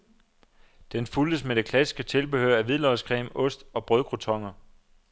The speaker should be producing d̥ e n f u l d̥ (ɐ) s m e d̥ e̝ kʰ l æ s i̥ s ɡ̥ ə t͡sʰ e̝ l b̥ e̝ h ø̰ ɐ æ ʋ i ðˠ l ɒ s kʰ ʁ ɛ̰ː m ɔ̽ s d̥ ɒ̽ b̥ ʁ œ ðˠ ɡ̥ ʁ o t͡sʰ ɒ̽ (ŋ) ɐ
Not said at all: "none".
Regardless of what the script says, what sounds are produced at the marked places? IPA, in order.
ə, ŋ

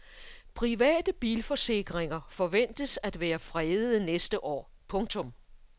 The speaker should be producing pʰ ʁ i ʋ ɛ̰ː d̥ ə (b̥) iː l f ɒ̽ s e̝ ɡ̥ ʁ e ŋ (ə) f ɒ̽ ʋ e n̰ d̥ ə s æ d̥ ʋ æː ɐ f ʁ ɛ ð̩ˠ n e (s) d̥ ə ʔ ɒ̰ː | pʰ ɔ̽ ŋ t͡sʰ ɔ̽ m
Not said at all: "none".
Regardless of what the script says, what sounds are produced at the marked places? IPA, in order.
b̥, ɐ, s

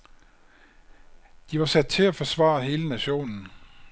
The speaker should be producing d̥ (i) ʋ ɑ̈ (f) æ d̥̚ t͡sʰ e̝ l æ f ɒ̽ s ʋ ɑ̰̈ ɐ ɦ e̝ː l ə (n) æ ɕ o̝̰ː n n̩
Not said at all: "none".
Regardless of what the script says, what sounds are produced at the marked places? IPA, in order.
i, s, n

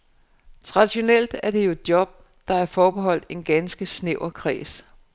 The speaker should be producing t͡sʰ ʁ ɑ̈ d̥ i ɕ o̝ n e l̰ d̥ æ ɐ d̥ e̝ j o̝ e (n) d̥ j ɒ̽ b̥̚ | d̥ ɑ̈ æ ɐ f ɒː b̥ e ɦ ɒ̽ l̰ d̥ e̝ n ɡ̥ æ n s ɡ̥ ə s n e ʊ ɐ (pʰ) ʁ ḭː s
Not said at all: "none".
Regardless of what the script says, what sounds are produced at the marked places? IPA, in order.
none, kʰ

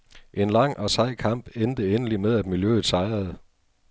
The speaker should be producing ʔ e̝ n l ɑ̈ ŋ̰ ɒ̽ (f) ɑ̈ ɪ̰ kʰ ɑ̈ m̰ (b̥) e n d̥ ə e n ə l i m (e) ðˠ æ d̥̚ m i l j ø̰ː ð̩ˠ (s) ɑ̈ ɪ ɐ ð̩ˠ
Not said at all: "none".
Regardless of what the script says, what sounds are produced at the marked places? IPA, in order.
s, b̥, e, s

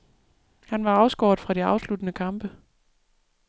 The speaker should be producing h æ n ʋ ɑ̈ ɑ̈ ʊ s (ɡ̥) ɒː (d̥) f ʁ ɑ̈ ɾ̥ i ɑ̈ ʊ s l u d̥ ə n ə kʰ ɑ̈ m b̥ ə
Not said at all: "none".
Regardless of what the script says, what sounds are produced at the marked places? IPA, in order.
ɡ̥, d̥

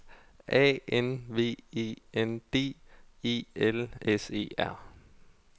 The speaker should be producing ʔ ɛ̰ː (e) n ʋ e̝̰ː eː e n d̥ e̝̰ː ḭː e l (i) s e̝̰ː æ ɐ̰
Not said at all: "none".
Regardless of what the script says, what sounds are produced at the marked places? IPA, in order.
e, e

